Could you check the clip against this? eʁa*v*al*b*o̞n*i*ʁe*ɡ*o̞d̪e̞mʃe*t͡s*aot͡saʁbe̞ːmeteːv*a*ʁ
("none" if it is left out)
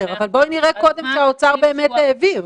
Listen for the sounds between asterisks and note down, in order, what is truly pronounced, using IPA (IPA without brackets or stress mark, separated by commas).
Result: v, b, i, k, none, i